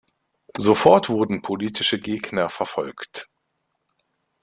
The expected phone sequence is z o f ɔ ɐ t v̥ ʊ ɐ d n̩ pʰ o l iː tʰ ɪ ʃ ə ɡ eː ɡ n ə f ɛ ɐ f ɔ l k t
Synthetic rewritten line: z o f ɔ ɐ t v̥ ʊ ɐ d n̩ pʰ o l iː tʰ ɪ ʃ ə ɡ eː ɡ n ɐ f ɛ ɐ f ɔ l k t